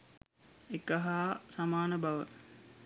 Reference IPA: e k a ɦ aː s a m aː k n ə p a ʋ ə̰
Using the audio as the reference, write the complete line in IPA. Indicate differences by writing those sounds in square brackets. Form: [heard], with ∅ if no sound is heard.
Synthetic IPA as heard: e k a ɦ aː s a m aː [∅] n ə [b] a ʋ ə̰